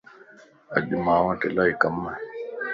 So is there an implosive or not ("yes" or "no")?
yes